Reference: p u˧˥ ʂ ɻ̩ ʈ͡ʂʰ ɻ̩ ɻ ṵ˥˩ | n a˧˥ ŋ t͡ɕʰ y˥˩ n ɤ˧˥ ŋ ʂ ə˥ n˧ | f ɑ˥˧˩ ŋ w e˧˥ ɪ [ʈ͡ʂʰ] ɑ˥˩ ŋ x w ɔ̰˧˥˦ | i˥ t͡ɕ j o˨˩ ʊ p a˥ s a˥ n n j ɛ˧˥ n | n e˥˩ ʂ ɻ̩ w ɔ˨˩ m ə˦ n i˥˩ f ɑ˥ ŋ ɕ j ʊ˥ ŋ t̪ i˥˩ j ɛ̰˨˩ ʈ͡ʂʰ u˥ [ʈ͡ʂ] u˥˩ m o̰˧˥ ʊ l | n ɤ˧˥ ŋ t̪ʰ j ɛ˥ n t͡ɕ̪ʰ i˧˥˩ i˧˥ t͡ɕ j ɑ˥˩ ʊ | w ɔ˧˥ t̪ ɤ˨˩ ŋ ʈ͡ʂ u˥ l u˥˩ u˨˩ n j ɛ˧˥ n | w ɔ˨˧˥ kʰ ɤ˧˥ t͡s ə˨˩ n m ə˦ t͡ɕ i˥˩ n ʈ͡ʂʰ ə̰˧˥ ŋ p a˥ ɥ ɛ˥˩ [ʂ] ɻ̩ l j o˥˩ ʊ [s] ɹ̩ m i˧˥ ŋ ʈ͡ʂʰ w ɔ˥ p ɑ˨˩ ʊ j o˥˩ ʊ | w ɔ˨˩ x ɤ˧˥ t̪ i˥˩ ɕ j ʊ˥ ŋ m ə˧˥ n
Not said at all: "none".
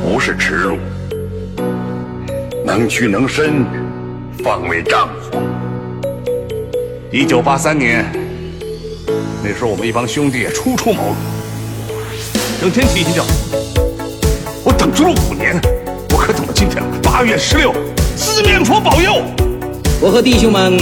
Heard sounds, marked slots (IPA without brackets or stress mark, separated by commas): ʈ͡ʂ, ʈ͡ʂʰ, ʂ, s